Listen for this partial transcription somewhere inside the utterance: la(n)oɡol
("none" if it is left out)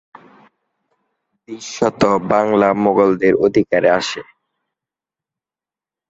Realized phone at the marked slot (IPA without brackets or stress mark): m